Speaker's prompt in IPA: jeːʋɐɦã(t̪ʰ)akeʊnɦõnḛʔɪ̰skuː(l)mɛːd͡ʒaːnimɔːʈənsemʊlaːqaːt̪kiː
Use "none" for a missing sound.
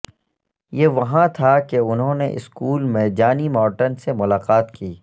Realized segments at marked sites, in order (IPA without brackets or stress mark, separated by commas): t̪ʰ, l